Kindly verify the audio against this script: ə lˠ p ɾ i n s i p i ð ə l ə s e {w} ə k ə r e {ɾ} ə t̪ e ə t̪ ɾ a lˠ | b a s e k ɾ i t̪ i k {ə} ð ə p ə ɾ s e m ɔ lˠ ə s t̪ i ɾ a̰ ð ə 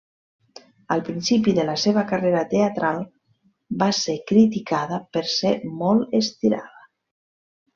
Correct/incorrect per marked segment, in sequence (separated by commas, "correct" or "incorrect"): incorrect, correct, incorrect